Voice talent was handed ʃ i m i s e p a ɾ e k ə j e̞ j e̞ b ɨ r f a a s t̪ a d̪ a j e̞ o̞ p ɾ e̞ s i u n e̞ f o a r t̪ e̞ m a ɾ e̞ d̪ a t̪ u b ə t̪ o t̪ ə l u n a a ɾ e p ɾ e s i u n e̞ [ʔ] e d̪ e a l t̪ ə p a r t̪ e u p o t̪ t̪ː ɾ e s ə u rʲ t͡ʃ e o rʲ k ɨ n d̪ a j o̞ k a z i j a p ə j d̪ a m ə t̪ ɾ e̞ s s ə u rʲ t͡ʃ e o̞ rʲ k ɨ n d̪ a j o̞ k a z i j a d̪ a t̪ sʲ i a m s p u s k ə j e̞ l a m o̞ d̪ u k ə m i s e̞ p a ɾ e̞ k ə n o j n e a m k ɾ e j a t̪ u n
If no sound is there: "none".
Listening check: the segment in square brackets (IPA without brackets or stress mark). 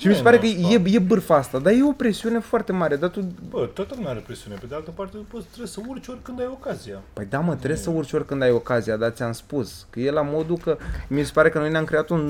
p